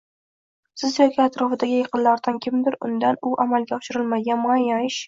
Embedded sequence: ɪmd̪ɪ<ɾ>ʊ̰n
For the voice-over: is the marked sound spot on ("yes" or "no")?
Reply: yes